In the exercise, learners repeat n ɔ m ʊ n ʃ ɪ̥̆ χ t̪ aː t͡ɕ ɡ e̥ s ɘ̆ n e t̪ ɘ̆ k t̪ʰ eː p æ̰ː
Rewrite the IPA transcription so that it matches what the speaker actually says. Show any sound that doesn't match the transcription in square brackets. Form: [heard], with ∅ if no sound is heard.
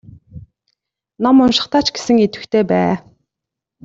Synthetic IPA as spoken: n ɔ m ʊ n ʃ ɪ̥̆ χ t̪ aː t͡ɕ ɡ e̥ s ɘ̆ [ŋ] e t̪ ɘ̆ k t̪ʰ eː p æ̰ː